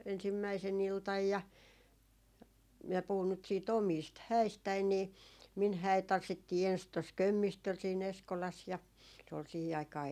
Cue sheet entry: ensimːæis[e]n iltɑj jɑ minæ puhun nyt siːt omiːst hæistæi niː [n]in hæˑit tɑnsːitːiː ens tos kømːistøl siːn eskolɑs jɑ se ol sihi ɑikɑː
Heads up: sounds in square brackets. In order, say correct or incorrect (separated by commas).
correct, incorrect